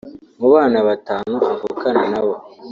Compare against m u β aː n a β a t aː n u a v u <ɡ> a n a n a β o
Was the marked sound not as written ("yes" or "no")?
yes